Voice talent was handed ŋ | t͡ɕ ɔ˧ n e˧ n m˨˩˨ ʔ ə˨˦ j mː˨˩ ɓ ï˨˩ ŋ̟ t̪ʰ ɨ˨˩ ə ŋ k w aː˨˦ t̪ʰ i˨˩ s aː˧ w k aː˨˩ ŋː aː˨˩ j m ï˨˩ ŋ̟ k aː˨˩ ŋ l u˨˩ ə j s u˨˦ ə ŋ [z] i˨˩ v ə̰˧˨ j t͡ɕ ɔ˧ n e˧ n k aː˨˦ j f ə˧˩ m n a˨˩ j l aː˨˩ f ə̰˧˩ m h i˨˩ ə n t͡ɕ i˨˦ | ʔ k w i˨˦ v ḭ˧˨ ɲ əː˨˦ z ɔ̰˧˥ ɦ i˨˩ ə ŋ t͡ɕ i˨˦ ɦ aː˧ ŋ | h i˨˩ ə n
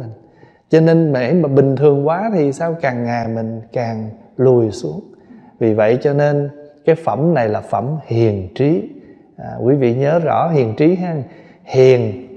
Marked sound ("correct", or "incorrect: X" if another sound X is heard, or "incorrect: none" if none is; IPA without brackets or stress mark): incorrect: v